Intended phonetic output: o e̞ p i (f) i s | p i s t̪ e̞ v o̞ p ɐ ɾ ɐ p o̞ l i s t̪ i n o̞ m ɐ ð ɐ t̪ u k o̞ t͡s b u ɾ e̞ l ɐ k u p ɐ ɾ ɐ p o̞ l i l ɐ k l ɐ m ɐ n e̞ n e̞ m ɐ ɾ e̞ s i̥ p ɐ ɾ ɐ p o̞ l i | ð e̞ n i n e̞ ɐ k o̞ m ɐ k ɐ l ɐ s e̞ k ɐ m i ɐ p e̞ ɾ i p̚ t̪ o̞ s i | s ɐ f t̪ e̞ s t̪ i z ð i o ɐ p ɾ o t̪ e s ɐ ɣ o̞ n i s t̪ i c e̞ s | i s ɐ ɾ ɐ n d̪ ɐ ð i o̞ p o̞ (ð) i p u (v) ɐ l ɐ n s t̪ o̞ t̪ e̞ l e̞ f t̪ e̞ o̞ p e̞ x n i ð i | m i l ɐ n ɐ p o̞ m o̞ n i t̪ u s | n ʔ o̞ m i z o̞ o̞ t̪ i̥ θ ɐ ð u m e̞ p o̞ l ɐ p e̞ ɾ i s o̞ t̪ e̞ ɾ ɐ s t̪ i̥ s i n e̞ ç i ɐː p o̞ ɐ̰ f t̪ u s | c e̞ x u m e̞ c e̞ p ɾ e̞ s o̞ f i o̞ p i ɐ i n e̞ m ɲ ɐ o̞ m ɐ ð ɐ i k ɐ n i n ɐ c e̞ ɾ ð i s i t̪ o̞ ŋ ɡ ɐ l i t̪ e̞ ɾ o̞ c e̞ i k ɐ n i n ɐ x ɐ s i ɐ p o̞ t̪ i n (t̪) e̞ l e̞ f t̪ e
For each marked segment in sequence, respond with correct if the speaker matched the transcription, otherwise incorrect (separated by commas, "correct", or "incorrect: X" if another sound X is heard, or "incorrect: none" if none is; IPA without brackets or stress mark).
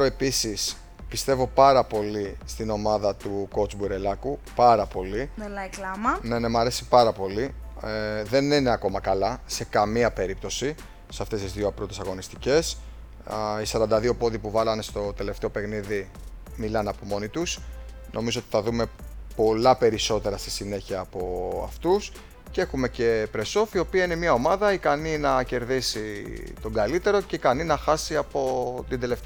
incorrect: s, correct, correct, incorrect: d̪